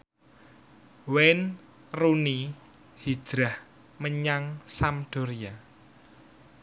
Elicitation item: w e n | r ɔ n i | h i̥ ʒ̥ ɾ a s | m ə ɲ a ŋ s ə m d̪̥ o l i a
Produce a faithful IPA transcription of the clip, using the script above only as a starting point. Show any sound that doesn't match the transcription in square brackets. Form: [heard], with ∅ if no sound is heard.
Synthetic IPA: w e n | r [u] n i | h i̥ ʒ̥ ɾ a [h] | m ə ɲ a ŋ s [a] m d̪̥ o [ɾ] i a

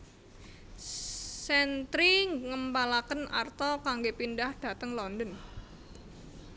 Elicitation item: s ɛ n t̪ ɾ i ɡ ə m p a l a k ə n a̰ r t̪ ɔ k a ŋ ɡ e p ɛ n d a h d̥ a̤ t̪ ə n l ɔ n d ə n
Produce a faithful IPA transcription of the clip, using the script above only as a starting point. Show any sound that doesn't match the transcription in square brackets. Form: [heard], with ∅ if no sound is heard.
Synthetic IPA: s ɛ n t̪ ɾ i [ŋ] ə m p a l a k ə n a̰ r t̪ ɔ k a ŋ ɡ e p [i] n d a h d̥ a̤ t̪ ə [ŋ] l ɔ n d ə n

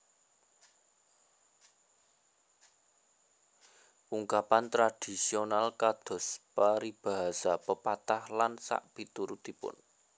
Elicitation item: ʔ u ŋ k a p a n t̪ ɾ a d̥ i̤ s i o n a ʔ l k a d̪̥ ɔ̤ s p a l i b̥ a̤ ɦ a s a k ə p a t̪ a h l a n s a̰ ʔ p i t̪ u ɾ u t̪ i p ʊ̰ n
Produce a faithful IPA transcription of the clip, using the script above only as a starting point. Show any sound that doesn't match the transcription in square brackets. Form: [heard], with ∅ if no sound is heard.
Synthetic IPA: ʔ u ŋ k a p a n t̪ ɾ a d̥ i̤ s i o n a [∅] l k a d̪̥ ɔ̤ s p a [ɾ] i b̥ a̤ ɦ a s a [p] ə p a t̪ a h l a n s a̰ ʔ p i t̪ u ɾ u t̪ i p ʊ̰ n

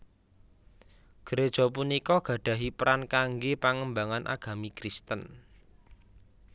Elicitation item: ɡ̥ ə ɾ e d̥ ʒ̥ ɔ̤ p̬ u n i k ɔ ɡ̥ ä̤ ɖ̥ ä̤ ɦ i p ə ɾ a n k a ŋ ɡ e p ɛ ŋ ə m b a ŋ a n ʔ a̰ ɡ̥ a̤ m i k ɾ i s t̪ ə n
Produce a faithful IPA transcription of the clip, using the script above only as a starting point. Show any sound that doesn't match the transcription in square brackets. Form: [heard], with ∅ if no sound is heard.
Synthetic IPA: ɡ̥ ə ɾ e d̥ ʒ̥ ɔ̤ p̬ u n i k ɔ ɡ̥ ä̤ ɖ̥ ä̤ ɦ i p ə ɾ a n k a ŋ ɡ e p [a] ŋ ə m b a ŋ a n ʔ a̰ ɡ̥ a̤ m i k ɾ i s t̪ ə n

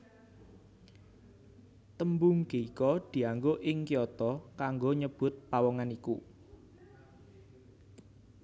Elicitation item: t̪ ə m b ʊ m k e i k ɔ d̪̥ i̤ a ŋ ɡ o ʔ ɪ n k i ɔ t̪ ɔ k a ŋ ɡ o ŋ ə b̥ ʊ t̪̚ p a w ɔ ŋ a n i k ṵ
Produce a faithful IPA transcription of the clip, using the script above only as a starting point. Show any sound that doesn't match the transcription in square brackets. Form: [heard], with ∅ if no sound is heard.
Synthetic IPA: t̪ ə m b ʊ [ŋ] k e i k ɔ d̪̥ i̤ a ŋ ɡ o ʔ ɪ [ŋ] k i ɔ t̪ ɔ k a ŋ ɡ o [ɲ] ə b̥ ʊ t̪̚ p a w ɔ ŋ a n i k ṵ

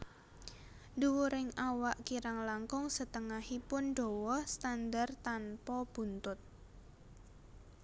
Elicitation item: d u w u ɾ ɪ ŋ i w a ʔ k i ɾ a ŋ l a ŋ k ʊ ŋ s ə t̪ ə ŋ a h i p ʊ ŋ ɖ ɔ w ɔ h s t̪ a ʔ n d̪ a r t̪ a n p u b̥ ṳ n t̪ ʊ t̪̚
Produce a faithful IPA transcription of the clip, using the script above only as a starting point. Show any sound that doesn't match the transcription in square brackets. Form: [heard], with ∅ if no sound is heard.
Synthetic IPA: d u w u ɾ ɪ ŋ [a] w a ʔ k i ɾ a ŋ l a ŋ k ʊ ŋ s ə t̪ ə ŋ a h i p ʊ [n] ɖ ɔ w ɔ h s t̪ a [∅] n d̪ a r t̪ a n p [ɔ] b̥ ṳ n t̪ ʊ t̪̚

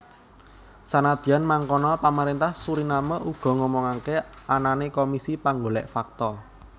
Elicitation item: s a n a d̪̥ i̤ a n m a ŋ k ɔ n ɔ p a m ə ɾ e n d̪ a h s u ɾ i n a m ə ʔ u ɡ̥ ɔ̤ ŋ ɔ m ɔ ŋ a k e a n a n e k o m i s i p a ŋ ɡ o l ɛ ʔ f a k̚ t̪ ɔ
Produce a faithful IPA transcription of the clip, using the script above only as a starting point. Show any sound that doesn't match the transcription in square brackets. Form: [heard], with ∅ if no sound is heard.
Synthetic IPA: s a n a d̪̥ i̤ a n m a ŋ k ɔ n ɔ p a m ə ɾ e n [t̪] a h s u ɾ i n a m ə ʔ u ɡ̥ ɔ̤ ŋ ɔ m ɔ ŋ a k e a n a n e k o m i s i p a ŋ ɡ o l ɛ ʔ f a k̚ t̪ ɔ

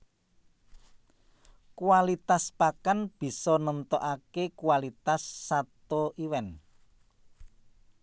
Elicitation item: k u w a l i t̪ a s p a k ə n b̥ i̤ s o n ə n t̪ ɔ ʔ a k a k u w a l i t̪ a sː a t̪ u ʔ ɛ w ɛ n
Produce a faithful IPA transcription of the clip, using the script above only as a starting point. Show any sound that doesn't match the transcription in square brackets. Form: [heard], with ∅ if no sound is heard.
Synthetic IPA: k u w a l i t̪ a s p a k [a] n b̥ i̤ s [ɔ] n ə n t̪ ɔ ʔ a k [e] k u w a l i t̪ a sː a t̪ [o] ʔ [i] w ɛ n

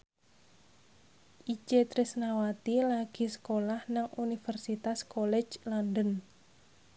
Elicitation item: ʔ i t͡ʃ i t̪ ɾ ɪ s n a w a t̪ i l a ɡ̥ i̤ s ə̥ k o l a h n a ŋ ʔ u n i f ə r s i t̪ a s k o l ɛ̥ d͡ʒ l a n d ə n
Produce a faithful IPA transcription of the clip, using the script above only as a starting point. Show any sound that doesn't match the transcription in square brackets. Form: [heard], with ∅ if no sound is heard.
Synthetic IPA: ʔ i t͡ʃ [e] t̪ ɾ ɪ s n a w a t̪ i l a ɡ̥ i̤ s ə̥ k o l a h n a ŋ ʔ u n i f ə r s i t̪ a s k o l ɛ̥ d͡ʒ l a n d ə n

